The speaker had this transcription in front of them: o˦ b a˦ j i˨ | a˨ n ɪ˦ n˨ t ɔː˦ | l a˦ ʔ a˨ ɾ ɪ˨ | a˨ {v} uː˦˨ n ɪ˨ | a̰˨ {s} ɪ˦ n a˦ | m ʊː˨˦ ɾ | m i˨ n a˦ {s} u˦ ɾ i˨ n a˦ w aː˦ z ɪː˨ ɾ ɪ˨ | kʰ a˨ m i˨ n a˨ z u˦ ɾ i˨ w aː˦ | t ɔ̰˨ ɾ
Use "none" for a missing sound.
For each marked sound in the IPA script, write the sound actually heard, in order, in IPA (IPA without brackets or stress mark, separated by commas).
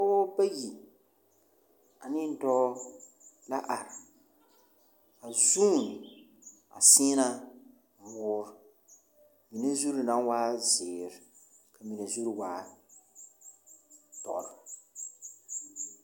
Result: z, s, z